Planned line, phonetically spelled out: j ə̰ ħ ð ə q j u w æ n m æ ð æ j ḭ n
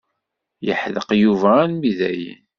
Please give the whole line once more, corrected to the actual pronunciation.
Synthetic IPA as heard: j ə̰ ħ ð ə q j u v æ n m i ð æ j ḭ n

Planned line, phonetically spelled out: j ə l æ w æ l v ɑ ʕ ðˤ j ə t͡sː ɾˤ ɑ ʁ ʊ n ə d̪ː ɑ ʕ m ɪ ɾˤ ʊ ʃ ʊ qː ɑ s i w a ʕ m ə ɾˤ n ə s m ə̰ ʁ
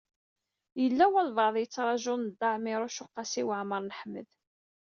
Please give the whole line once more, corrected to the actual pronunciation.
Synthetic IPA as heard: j ə lː æ w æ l v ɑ ʕ ðˤ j ə t͡sː ɾˤ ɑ ʒ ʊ n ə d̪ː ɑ ʕ m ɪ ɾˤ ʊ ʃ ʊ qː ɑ s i w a ʕ m ə ɾˤ n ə ħ m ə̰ ð

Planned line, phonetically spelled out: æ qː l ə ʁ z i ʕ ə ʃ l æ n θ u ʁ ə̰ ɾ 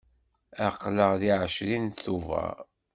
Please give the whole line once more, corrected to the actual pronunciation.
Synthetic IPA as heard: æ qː l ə ʁ ð i ʕ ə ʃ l i n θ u v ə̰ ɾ

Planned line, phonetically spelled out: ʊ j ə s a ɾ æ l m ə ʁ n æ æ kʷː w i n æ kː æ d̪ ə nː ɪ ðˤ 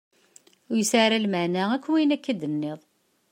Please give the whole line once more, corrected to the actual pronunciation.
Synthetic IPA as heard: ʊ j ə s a ɾ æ l m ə ʕ n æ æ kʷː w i n æ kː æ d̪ ə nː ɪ ðˤ

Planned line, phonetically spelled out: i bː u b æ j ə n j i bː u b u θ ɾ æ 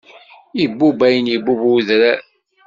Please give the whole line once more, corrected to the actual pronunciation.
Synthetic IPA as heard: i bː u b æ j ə n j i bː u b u ð ɾ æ

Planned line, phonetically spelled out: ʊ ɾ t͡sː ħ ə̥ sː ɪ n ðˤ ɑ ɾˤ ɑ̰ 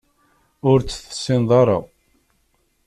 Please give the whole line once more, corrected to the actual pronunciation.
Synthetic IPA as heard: ʊ ɾ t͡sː θ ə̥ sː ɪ n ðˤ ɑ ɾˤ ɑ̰

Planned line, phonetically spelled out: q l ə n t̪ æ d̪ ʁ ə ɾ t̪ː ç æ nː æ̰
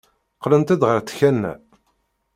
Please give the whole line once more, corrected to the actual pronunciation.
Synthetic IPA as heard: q l ə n t̪ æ d̪ ʁ ə ɾ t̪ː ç æ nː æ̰

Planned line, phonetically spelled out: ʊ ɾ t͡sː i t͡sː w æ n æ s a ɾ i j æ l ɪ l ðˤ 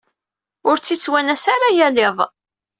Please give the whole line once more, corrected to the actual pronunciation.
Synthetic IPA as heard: ʊ ɾ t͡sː i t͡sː w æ n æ s a ɾ a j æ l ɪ ðˤ

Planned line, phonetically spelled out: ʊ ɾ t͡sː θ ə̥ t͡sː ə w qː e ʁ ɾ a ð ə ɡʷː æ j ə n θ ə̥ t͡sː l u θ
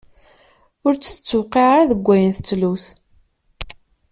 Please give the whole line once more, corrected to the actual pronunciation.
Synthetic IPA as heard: ʊ ɾ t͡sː θ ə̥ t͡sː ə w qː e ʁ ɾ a ð ə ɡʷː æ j ə n θ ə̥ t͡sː l u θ

